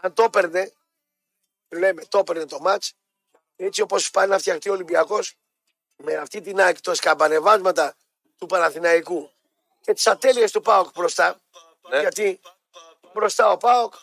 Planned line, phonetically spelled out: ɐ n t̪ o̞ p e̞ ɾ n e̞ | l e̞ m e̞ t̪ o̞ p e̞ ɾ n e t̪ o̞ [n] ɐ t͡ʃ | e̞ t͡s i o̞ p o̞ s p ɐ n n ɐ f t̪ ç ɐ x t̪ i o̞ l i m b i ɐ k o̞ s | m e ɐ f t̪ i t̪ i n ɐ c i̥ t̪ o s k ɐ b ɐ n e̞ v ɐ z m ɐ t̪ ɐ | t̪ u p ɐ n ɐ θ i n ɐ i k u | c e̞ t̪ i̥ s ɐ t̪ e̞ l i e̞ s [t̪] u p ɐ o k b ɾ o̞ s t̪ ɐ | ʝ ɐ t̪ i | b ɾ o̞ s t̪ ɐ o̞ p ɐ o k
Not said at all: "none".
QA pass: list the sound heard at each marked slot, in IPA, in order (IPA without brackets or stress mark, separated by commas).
m, t̪